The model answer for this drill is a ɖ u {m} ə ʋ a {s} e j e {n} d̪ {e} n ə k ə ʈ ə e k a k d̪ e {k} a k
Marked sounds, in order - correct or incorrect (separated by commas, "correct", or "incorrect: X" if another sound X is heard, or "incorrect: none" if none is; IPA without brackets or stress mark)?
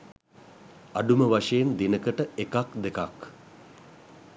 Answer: correct, incorrect: ʂ, correct, incorrect: i, correct